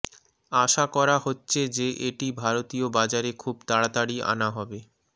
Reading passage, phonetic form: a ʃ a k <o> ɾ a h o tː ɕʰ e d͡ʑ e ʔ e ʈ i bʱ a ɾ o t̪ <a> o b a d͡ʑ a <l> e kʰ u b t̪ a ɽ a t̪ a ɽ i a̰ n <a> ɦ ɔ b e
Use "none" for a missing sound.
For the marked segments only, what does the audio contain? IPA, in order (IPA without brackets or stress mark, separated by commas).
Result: ɔ, i, ɾ, a